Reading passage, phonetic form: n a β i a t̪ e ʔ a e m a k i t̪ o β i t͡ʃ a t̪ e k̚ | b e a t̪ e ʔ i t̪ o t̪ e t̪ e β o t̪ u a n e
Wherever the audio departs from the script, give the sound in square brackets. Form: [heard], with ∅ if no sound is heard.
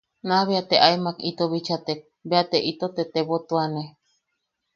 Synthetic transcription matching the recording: n a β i a t̪ e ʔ a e m a k i t̪ o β i t͡ʃ a t̪ e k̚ | b e a t̪ e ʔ i t̪ o t̪ e t̪ e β o t̪ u a n e